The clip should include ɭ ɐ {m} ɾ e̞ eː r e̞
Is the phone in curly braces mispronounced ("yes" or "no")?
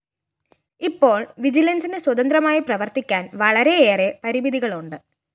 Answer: yes